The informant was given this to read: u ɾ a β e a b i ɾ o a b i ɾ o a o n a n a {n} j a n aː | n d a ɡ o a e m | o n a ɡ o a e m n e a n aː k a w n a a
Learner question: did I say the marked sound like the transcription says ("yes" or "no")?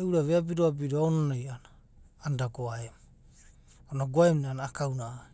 no